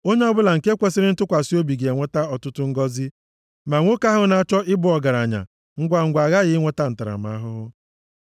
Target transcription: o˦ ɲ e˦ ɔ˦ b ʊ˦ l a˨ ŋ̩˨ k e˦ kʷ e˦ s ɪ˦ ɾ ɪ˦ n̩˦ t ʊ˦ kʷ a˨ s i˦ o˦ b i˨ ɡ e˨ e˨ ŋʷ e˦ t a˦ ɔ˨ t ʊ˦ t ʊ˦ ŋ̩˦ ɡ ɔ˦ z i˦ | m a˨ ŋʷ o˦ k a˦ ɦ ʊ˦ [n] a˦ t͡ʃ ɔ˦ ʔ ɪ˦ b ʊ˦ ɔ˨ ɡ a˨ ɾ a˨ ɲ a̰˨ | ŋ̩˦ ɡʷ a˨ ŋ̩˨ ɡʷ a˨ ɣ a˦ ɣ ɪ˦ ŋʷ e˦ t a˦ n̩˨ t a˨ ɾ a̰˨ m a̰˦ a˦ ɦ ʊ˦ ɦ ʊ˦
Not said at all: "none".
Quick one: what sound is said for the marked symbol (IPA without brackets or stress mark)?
n